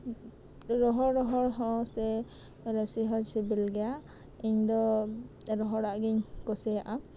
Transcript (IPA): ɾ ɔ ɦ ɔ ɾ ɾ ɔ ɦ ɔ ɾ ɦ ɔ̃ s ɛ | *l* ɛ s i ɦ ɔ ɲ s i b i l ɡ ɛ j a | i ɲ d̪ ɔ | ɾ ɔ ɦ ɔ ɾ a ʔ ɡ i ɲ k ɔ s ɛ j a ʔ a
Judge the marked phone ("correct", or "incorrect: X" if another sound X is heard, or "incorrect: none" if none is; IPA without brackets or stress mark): incorrect: ɾ